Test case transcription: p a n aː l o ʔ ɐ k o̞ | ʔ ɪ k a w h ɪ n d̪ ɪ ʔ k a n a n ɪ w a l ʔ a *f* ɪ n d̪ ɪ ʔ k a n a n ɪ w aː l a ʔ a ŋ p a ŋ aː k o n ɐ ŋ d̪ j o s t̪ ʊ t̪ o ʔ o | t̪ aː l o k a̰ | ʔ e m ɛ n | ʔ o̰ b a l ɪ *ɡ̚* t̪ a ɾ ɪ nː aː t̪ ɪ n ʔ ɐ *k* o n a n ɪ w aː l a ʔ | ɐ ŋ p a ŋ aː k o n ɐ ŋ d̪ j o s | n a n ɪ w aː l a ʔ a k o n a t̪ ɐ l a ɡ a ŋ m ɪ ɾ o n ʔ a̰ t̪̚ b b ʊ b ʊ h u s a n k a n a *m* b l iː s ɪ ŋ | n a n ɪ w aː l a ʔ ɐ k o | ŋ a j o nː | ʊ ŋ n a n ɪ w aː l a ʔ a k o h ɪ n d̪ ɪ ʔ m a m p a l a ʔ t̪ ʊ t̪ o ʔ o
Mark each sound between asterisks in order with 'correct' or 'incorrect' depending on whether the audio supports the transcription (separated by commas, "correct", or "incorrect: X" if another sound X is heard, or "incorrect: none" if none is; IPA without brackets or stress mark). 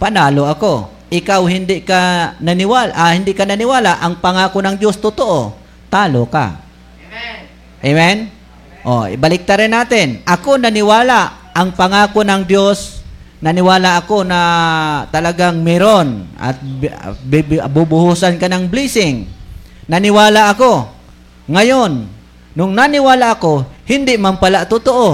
incorrect: h, incorrect: k̚, correct, incorrect: ŋ